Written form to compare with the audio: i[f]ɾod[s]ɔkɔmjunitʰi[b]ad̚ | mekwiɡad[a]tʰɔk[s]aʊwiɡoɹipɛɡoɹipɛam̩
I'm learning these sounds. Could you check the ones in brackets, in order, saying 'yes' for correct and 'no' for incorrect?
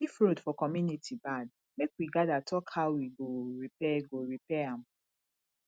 yes, no, yes, yes, no

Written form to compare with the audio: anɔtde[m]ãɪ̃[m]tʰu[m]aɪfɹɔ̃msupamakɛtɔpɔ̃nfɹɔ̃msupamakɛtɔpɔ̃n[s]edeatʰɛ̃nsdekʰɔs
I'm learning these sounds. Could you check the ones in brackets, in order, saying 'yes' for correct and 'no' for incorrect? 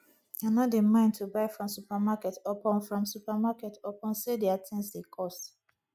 yes, no, no, yes

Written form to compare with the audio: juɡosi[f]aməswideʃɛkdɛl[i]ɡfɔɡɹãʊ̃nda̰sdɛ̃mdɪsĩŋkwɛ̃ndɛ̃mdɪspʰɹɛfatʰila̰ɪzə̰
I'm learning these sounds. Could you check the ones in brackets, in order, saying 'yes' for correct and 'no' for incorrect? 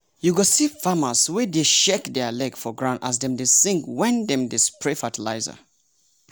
yes, no

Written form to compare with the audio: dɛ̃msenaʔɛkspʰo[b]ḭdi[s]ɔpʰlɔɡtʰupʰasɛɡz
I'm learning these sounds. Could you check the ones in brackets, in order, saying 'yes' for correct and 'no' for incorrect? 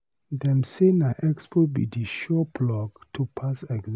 yes, no

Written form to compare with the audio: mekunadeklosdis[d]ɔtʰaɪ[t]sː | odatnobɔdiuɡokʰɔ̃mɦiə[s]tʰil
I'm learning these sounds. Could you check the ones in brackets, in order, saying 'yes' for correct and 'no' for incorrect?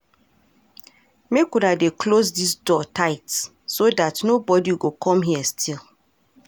yes, yes, yes

